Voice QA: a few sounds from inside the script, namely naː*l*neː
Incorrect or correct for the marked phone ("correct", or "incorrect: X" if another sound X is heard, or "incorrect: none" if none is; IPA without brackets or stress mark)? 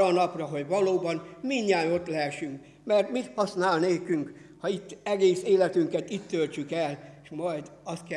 correct